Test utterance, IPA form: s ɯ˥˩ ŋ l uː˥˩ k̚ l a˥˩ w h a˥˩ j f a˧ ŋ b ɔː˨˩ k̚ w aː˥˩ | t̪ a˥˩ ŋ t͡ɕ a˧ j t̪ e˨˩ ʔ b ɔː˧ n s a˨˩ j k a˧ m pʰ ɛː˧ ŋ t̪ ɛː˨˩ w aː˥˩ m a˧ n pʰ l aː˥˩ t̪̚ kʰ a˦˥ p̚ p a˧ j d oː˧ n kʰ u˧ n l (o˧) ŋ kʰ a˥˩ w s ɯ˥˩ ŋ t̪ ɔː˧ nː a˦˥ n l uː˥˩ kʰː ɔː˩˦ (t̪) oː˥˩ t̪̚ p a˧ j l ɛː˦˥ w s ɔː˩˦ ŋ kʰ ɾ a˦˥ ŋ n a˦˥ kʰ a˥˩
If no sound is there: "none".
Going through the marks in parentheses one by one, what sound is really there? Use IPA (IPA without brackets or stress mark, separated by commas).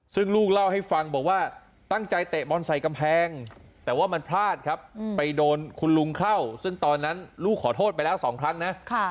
u˧, t̪ʰ